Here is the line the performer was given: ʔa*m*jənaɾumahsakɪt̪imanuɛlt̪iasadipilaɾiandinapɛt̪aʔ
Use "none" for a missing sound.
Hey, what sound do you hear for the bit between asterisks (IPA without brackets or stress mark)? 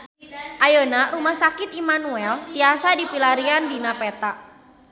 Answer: none